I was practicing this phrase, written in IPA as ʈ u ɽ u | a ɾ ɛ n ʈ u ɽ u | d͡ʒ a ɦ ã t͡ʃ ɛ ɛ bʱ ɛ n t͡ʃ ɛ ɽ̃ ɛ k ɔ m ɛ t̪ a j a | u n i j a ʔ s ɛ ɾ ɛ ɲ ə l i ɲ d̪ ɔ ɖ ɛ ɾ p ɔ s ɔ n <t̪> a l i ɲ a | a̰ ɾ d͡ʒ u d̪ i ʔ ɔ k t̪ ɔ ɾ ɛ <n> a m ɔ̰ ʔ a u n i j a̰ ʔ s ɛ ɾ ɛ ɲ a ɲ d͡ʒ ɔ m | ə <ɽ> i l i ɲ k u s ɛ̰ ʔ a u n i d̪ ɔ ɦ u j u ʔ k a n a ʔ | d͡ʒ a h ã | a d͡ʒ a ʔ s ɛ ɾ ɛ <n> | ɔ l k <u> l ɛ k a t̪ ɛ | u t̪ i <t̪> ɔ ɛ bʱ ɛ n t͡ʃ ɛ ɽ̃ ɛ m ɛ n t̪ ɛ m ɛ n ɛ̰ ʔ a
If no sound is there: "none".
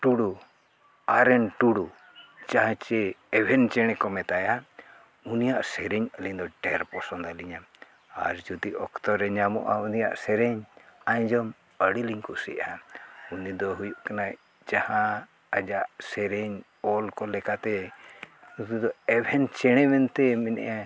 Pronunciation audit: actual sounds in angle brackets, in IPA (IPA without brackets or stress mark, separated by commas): d̪, ɲ, ɽ, ɲ, ɔ, d̪